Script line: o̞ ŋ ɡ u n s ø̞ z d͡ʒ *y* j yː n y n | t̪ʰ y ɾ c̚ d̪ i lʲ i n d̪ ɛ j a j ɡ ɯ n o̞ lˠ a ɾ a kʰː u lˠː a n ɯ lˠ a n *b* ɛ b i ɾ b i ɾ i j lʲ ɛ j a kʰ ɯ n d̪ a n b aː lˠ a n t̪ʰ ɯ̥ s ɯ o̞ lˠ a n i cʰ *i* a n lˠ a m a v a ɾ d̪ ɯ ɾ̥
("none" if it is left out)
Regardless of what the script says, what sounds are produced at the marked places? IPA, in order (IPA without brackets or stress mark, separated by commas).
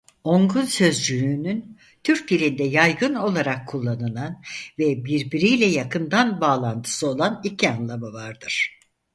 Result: y, v, i